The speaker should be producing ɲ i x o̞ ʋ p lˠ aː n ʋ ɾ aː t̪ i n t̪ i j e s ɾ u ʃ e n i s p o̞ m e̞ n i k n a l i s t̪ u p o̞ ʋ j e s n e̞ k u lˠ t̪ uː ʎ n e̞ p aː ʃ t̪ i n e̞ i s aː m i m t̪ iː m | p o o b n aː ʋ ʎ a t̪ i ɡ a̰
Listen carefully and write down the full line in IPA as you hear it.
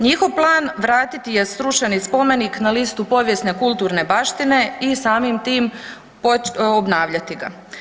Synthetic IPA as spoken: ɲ i x o̞ ʋ p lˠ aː n ʋ ɾ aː t̪ i t̪ i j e s ɾ u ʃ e n i s p o̞ m e̞ n i k n a l i s t̪ u p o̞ ʋ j e s n e̞ k u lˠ t̪ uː ɾ n e̞ b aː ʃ t̪ i n e̞ i s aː m i m t̪ iː m | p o o b n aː ʋ ʎ a t̪ i ɡ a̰